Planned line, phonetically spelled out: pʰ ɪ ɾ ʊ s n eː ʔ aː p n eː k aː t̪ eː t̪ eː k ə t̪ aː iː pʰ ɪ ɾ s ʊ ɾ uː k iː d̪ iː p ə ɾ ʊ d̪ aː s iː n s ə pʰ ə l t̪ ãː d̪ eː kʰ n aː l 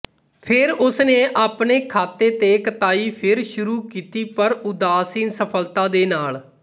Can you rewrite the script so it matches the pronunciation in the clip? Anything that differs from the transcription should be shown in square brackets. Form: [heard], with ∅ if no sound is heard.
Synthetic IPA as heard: pʰ ɪ ɾ ʊ s n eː ʔ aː p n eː [kʰ] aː t̪ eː t̪ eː k ə t̪ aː iː pʰ ɪ ɾ [ʃ] ʊ ɾ uː k iː [t̪] iː p ə ɾ ʊ d̪ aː s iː n s ə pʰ ə l t̪ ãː d̪ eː [∅] n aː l